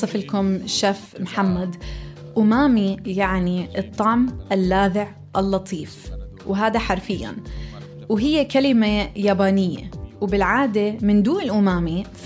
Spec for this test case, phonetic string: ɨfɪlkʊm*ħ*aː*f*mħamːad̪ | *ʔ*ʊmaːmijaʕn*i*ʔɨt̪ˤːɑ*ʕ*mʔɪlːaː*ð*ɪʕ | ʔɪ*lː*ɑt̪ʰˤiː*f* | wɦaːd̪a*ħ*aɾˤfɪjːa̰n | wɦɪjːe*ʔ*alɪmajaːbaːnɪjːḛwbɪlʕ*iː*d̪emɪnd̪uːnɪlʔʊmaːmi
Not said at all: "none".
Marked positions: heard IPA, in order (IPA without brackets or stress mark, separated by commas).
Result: ʃ, f, ʔ, i, ʕ, ð, lː, f, ħ, k, aː